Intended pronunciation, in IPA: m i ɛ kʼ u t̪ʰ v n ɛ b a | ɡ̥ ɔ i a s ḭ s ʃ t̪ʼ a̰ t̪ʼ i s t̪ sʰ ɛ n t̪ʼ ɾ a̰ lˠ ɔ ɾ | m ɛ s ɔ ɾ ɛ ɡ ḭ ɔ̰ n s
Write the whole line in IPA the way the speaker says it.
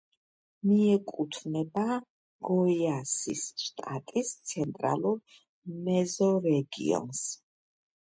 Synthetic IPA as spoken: m i ɛ kʼ u t̪ʰ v n ɛ b a | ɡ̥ ɔ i a s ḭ s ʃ t̪ʼ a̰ t̪ʼ i s t̪ sʰ ɛ n t̪ʼ ɾ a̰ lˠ u ɾ | m ɛ z ɔ ɾ ɛ ɡ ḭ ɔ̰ n s